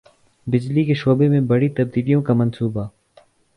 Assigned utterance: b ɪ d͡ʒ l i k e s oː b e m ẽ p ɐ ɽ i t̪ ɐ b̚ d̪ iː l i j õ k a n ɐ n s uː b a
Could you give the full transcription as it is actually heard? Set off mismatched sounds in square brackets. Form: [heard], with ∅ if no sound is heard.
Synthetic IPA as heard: b ɪ d͡ʒ l i k e [ʃ] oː b e m ẽ [b] ɐ ɽ i t̪ ɐ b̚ d̪ iː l i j õ k a [m] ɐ n s uː b a